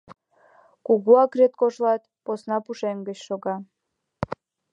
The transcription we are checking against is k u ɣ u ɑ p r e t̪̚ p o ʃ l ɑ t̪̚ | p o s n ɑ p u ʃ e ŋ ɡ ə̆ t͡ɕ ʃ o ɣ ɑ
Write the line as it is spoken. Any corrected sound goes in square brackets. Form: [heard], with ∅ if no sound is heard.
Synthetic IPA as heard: k u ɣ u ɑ [k] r e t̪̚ [k] o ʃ l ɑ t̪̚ | p o s n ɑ p u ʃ e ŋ ɡ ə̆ t͡ɕ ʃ o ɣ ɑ